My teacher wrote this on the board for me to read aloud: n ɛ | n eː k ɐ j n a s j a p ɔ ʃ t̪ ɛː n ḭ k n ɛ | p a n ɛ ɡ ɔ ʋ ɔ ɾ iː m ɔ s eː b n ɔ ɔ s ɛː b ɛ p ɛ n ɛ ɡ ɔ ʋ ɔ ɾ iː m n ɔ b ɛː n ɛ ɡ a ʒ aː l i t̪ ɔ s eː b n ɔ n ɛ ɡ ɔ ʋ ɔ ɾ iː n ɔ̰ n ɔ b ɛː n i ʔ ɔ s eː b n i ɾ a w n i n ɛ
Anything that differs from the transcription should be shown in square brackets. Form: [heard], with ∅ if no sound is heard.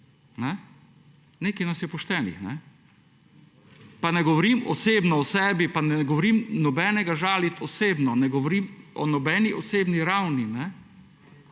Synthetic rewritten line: n ɛ | n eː k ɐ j n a s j [ɛ] p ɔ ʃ t̪ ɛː n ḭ [x] n ɛ | p a n ɛ ɡ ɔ ʋ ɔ ɾ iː m ɔ s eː b n ɔ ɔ s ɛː b [i] p [a] n ɛ ɡ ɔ ʋ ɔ ɾ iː m n ɔ b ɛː n ɛ ɡ a ʒ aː l i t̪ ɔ s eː b n ɔ n ɛ ɡ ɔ ʋ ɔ ɾ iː [m] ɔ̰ n ɔ b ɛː n i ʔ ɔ s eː b n i ɾ a w n i n ɛ

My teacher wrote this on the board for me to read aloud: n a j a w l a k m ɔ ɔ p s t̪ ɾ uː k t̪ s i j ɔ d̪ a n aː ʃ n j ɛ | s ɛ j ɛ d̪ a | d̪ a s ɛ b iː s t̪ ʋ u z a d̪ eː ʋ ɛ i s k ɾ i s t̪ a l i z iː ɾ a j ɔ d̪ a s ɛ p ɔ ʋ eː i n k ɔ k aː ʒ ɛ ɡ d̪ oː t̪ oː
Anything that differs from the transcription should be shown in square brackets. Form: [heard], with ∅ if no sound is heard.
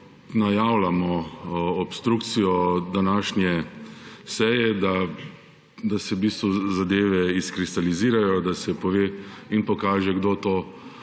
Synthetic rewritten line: n a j a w l a [∅] m ɔ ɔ p s t̪ ɾ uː k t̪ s i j ɔ d̪ a n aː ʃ n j ɛ | s ɛ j ɛ d̪ a | d̪ a s ɛ b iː s t̪ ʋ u z a d̪ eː ʋ ɛ i s k ɾ i s t̪ a l i z iː ɾ a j ɔ d̪ a s ɛ p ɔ ʋ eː i n [p] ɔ k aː ʒ ɛ ɡ d̪ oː t̪ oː

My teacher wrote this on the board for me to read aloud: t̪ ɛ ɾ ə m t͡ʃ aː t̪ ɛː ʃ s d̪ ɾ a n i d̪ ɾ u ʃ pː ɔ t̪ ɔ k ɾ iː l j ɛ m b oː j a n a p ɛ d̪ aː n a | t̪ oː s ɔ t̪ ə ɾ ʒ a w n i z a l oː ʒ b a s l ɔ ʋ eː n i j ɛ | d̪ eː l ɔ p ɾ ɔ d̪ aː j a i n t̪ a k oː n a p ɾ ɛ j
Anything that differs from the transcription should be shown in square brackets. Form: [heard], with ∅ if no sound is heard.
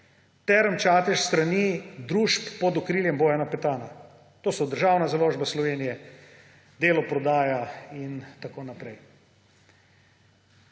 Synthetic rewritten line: t̪ ɛ ɾ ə m t͡ʃ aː t̪ [ɛ] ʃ s [t̪] ɾ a n i d̪ ɾ u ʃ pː ɔ [d̪] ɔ k ɾ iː l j ɛ m b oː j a n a p ɛ [t̪] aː n a | t̪ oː s ɔ [d̪] ə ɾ ʒ a w n [a] z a l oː ʒ b a s l ɔ ʋ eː n i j ɛ | d̪ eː l ɔ p ɾ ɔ d̪ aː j a i n t̪ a k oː n a p ɾ ɛ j

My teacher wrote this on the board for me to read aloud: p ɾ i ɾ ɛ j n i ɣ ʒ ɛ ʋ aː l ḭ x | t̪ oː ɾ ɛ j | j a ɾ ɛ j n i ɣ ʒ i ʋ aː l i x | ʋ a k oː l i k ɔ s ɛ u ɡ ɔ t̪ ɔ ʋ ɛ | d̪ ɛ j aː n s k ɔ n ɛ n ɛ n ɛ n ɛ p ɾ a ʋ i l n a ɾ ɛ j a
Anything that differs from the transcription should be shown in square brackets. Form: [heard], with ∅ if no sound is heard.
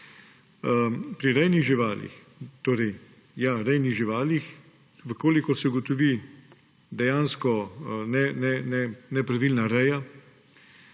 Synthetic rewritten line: p ɾ i ɾ ɛ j n i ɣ ʒ [i] ʋ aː l ḭ x | t̪ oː ɾ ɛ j | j a ɾ ɛ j n i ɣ ʒ i ʋ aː l i x | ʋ [ə] k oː l i k ɔ s ɛ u ɡ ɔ t̪ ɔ ʋ [i] | d̪ ɛ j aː n s k ɔ n ɛ n ɛ n ɛ n ɛ p ɾ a ʋ i l n a ɾ ɛ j a

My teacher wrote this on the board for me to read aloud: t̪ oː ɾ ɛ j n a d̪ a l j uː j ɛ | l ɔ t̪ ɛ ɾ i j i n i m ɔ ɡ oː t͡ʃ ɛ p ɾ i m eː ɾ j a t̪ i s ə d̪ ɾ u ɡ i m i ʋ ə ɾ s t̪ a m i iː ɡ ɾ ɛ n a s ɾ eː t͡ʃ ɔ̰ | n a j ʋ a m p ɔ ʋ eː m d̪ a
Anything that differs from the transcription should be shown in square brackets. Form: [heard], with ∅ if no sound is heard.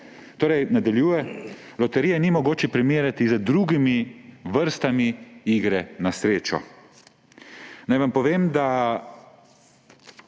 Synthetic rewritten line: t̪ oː ɾ ɛ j n a d̪ a l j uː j ɛ | l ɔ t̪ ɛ ɾ i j [ɛ] n i m ɔ ɡ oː t͡ʃ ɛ p ɾ i m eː ɾ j a t̪ i [z] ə d̪ ɾ u ɡ i m i ʋ ə ɾ s t̪ a m i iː ɡ ɾ ɛ n a s ɾ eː t͡ʃ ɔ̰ | n a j ʋ a m p ɔ ʋ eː m d̪ a

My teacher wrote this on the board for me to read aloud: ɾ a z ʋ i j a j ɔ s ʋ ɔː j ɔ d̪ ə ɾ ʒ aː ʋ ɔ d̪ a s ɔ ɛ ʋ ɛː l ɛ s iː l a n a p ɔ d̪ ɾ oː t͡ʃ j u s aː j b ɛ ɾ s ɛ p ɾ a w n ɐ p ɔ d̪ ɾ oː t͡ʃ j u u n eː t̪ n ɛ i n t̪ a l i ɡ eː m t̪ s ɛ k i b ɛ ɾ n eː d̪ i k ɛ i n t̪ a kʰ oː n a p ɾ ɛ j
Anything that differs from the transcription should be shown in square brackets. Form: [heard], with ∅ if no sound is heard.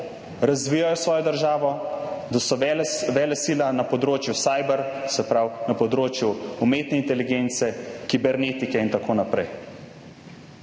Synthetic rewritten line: ɾ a z ʋ i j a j ɔ s ʋ ɔː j ɔ d̪ ə ɾ ʒ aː ʋ ɔ d̪ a s ɔ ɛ ʋ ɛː l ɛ s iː l a n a p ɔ d̪ ɾ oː t͡ʃ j u s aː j b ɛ ɾ s ɛ p ɾ a w n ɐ p ɔ d̪ ɾ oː t͡ʃ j u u [m] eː t̪ n ɛ i n t̪ [ɛ] l i ɡ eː [n] t̪ s ɛ k i b ɛ ɾ n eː [t̪] i k ɛ i n t̪ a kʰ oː n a p ɾ ɛ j

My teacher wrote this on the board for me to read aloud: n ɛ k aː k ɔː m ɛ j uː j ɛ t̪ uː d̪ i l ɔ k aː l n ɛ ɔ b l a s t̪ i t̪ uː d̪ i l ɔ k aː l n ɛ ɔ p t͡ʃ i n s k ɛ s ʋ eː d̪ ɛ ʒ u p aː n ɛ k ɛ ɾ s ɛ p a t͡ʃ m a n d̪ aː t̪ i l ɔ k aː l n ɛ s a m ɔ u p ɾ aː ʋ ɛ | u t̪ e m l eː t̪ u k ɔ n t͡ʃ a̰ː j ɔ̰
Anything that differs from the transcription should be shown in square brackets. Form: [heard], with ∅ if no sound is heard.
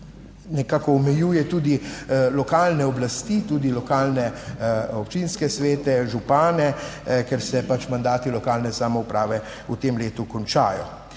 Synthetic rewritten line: n ɛ k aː k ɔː m ɛ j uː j ɛ t̪ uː d̪ i l ɔ k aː l n ɛ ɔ b l a s t̪ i t̪ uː d̪ i l ɔ k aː l n ɛ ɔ p t͡ʃ i n s k ɛ s ʋ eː [t̪] ɛ ʒ u p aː n ɛ k ɛ ɾ s ɛ p a t͡ʃ m a n d̪ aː t̪ i l ɔ k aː l n ɛ s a m ɔ u p ɾ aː ʋ ɛ | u t̪ e m l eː t̪ u k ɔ n t͡ʃ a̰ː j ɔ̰

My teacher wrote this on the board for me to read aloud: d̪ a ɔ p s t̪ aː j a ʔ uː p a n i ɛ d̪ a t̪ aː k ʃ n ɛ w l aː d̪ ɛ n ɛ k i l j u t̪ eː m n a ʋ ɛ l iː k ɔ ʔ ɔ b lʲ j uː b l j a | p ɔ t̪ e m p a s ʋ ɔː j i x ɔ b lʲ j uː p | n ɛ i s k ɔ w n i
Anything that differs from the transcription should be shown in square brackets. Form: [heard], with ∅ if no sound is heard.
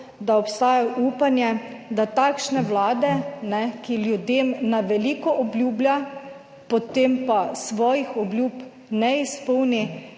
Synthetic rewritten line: d̪ a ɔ p s t̪ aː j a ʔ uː p a n [j] ɛ d̪ a t̪ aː k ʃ n ɛ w l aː d̪ ɛ n ɛ k i l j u [d̪] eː m n a ʋ ɛ l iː k ɔ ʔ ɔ b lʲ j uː b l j a | p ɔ t̪ e m p a s ʋ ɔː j i x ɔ b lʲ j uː p | n ɛ i s [p] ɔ w n i

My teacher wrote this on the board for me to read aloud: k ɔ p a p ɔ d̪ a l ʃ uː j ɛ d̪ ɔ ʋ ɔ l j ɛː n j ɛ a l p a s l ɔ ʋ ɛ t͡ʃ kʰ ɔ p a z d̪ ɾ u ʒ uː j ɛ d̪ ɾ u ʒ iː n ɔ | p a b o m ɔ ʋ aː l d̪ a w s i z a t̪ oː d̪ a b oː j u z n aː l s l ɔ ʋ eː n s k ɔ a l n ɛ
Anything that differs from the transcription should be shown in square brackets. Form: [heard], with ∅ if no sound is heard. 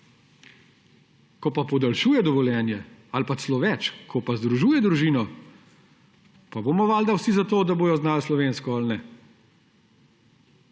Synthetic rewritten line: k ɔ p a p ɔ d̪ a l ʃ uː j ɛ d̪ ɔ ʋ ɔ l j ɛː n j ɛ a l p a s l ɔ ʋ ɛ t͡ʃ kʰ ɔ p a z d̪ ɾ u ʒ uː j ɛ d̪ ɾ u ʒ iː n ɔ | p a b o m ɔ ʋ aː l d̪ a w s i z a t̪ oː d̪ a b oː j [ɔ] z n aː l s l ɔ ʋ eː n s k ɔ a l n ɛ

